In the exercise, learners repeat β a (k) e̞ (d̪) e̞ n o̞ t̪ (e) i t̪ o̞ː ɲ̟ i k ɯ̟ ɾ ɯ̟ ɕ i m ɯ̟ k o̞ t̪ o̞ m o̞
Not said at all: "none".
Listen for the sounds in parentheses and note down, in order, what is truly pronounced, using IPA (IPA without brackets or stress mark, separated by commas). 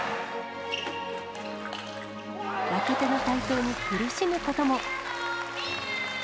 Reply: k, t̪, a